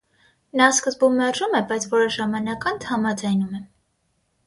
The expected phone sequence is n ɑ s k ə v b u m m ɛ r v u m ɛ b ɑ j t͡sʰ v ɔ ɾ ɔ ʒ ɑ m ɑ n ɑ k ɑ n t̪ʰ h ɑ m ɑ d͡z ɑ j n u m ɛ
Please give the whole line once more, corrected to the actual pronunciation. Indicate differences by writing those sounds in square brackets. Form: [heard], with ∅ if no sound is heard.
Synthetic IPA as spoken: n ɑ s k ə [z] b u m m ɛ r [ʒ] u m ɛ b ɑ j t͡sʰ v ɔ ɾ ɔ ʒ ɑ m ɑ n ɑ k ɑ n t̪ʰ h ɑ m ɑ d͡z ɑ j n u m ɛ